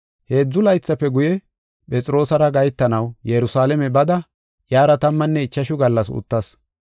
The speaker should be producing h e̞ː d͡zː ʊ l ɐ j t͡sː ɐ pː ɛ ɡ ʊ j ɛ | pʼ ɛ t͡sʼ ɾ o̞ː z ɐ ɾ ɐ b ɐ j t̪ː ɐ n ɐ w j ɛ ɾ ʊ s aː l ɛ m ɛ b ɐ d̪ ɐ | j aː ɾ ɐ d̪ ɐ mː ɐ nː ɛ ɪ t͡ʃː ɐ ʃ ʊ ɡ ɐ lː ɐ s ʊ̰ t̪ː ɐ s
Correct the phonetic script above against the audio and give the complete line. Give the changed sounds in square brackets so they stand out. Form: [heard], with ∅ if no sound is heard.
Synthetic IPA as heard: h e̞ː d͡zː ʊ l ɐ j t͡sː ɐ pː ɛ ɡ ʊ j ɛ | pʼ ɛ t͡sʼ ɾ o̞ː [s] ɐ ɾ ɐ [ɡ] ɐ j t̪ː ɐ n ɐ w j ɛ ɾ ʊ s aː l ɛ m ɛ b ɐ d̪ ɐ | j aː ɾ ɐ [t̪] ɐ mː ɐ nː ɛ ɪ t͡ʃː ɐ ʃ ʊ ɡ ɐ lː ɐ s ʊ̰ t̪ː ɐ s

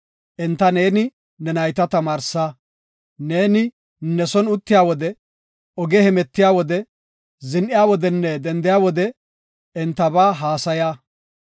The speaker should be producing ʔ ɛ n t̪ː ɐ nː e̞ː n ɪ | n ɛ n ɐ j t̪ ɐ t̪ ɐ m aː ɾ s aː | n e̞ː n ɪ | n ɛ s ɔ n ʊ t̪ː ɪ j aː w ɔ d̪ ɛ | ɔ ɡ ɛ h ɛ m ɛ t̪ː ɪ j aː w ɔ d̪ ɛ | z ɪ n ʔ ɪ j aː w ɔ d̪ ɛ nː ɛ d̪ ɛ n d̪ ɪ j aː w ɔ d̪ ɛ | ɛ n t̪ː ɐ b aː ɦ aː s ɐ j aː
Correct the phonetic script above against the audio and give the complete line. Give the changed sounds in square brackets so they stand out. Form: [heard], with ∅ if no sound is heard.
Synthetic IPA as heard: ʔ ɛ n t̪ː ɐ [n] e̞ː n ɪ | n ɛ n ɐ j t̪ ɐ t̪ ɐ m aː ɾ s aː | n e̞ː n ɪ | n ɛ s ɔ n ʊ t̪ː ɪ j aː w ɔ d̪ ɛ | ɔ ɡ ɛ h ɛ m ɛ t̪ː ɪ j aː w ɔ d̪ ɛ | z ɪ n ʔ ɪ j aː w ɔ d̪ ɛ nː ɛ d̪ ɛ n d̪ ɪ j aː w ɔ d̪ ɛ | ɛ n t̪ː ɐ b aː ɦ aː s ɐ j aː

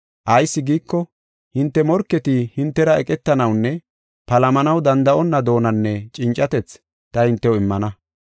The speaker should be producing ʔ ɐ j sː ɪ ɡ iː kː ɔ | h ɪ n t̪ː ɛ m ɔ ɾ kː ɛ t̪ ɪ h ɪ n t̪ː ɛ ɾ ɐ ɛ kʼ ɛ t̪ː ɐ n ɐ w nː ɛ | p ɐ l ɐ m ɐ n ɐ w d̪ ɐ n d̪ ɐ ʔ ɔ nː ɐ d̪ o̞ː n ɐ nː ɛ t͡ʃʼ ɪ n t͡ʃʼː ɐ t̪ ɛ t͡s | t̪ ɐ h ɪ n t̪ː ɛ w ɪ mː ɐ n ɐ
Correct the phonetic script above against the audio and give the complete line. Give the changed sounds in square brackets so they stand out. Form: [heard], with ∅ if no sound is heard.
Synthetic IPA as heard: ʔ ɐ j sː ɪ ɡ iː kː ɔ | h ɪ n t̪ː ɛ m ɔ ɾ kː ɛ t̪ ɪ h ɪ n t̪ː ɛ ɾ ɐ ɛ kʼ ɛ t̪ː ɐ n ɐ w nː ɛ | p ɐ l ɐ m ɐ n ɐ w d̪ ɐ n d̪ ɐ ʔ ɔ nː ɐ d̪ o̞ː n ɐ nː ɛ t͡ʃʼ ɪ n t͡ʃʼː ɐ t̪ ɛ t͡s | t̪ ɐ h ɪ n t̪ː ɛ w ɪ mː ɐ n ɐ

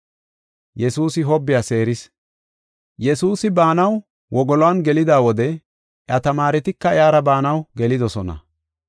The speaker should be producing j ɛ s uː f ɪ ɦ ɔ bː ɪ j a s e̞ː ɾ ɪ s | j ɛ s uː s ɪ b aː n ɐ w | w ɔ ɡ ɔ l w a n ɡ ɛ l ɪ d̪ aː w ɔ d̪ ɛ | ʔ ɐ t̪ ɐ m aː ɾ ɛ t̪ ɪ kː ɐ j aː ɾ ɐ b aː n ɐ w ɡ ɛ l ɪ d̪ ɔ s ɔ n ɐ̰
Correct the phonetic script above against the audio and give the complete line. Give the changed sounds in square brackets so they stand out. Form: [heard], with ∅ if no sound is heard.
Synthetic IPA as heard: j ɛ s uː [s] ɪ ɦ ɔ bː ɪ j a s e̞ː ɾ ɪ s | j ɛ s uː s ɪ b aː n ɐ w | w ɔ ɡ ɔ l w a n ɡ ɛ l ɪ d̪ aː w ɔ d̪ ɛ | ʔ ɐ t̪ ɐ m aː ɾ ɛ t̪ ɪ kː ɐ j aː ɾ ɐ b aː n ɐ w ɡ ɛ l ɪ d̪ ɔ s ɔ n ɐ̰

